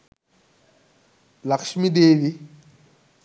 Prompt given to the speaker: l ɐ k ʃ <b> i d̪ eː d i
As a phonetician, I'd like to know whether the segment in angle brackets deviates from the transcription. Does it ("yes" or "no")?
yes